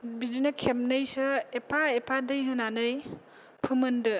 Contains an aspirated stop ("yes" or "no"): yes